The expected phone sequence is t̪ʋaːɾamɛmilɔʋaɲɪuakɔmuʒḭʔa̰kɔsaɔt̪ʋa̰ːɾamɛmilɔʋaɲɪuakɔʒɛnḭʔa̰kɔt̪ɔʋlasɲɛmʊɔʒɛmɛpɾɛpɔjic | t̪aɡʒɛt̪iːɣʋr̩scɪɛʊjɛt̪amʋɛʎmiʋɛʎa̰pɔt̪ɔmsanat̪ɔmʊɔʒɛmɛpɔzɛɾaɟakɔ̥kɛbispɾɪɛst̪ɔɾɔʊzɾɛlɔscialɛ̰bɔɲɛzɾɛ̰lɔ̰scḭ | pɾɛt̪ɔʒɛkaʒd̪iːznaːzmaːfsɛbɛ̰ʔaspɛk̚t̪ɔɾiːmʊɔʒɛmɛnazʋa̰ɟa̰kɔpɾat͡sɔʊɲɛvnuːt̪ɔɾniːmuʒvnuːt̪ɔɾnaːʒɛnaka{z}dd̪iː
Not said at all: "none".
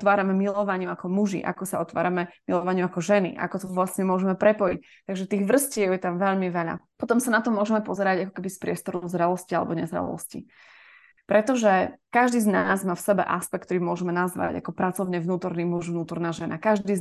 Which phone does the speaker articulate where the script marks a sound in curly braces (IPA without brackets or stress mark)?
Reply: ʒ